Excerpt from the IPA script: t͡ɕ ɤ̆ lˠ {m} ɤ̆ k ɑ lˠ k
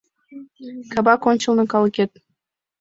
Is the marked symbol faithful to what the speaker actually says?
no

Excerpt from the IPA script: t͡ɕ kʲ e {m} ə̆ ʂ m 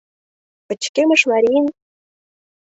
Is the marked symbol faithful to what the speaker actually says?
yes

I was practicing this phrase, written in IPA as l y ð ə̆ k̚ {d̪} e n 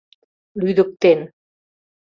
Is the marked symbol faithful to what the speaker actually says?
no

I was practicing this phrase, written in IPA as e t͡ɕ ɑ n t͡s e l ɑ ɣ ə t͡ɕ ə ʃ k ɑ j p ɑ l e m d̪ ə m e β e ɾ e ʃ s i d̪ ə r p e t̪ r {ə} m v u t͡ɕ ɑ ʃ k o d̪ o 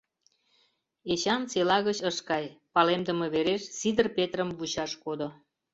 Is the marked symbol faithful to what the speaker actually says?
yes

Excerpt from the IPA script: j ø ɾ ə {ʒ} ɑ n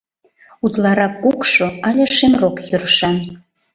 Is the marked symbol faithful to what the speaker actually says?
no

